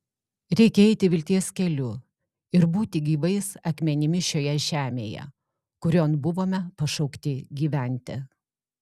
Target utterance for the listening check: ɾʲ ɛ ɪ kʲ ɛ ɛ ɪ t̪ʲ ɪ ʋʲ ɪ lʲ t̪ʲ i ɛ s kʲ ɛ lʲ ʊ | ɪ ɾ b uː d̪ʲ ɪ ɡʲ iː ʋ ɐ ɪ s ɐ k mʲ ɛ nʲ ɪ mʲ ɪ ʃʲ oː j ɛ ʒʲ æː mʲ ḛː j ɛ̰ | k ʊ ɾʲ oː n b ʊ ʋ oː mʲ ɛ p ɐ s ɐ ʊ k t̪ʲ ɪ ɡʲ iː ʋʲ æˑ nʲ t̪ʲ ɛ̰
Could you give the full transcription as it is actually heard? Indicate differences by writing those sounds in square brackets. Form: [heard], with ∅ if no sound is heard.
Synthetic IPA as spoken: ɾʲ ɛ ɪ kʲ ɛ ɛ ɪ t̪ʲ ɪ ʋʲ ɪ lʲ t̪ʲ i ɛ s kʲ ɛ lʲ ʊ | ɪ ɾ b uː [t̪ʲ] ɪ ɡʲ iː ʋ ɐ ɪ s ɐ k mʲ ɛ nʲ ɪ mʲ ɪ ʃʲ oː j ɛ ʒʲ æː mʲ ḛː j ɛ̰ | k ʊ ɾʲ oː n b ʊ ʋ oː mʲ ɛ p ɐ [ʃ] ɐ ʊ k t̪ʲ ɪ ɡʲ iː ʋʲ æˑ nʲ t̪ʲ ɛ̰